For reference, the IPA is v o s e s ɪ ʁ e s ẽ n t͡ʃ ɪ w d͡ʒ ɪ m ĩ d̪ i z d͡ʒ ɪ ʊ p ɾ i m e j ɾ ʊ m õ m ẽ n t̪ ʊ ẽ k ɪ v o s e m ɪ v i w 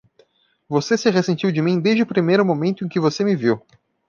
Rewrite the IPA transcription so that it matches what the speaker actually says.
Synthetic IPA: v o s e s ɪ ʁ e s ẽ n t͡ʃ i w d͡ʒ ɪ m ĩ d̪ e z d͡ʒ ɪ ʊ p ɾ i m e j ɾ ʊ m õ m ẽ n t̪ ʊ ẽ k ɪ v o s e m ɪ v i w